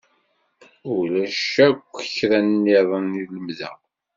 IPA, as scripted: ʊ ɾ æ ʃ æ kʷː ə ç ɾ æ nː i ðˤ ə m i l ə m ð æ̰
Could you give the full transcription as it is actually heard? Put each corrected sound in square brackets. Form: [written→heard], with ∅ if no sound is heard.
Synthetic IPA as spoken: ʊ [ɾ→l] æ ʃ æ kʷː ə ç ɾ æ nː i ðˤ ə [m→n] i l ə m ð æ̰